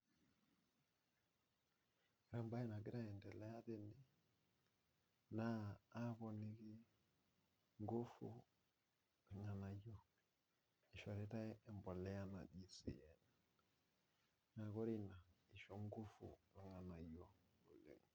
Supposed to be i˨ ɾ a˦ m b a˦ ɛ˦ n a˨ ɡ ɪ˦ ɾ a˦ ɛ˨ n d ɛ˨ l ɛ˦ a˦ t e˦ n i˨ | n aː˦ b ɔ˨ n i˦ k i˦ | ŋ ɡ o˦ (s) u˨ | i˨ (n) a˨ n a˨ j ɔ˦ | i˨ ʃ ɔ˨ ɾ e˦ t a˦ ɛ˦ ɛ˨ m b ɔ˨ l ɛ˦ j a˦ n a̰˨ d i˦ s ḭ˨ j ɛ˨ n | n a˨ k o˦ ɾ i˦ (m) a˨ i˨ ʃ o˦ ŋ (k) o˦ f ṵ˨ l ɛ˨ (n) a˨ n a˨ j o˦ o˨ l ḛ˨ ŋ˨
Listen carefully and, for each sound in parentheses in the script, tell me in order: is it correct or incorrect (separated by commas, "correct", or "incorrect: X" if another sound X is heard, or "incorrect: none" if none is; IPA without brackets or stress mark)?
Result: incorrect: f, incorrect: ŋ, incorrect: n, incorrect: ɡ, incorrect: ŋ